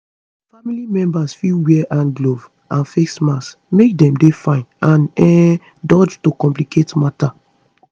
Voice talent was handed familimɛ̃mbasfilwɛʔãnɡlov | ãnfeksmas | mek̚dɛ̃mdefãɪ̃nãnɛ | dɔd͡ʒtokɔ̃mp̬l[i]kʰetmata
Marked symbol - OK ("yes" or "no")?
yes